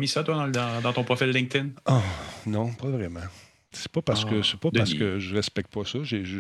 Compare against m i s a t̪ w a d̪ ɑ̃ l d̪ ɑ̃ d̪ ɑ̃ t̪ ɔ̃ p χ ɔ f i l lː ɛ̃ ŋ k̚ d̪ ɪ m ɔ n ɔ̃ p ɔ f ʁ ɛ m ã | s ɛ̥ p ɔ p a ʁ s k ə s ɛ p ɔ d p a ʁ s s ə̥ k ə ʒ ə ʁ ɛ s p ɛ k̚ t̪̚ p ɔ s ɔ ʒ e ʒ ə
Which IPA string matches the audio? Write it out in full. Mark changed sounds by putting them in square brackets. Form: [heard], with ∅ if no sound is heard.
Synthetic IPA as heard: m i s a t̪ w a d̪ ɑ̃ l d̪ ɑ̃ d̪ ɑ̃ t̪ ɔ̃ p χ ɔ f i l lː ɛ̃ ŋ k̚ [t̪] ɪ [n] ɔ n ɔ̃ p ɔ [v] ʁ ɛ m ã | s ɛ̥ p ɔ p a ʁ s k ə s ɛ p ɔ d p a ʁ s s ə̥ k ə ʒ ə ʁ ɛ s p ɛ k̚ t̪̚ p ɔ s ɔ ʒ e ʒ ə